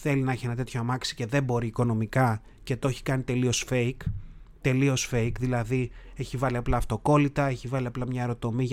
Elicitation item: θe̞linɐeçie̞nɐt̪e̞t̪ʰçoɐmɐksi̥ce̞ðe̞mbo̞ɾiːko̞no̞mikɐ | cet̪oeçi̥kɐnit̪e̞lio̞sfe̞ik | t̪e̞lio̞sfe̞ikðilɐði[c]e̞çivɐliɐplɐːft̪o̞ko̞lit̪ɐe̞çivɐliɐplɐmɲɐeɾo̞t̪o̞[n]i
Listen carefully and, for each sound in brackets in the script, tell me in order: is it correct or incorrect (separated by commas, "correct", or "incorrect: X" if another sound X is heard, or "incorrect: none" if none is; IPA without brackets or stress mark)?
incorrect: none, incorrect: m